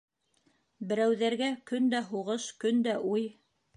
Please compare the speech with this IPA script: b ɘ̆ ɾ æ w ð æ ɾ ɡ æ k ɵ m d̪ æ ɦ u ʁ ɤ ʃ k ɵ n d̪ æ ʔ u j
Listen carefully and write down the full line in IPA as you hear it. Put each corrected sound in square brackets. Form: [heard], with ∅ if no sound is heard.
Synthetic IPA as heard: b ɘ̆ ɾ æ w ð æ ɾ ɡ æ k ɵ [n] d̪ æ ɦ u ʁ ɤ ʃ k ɵ n d̪ æ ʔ u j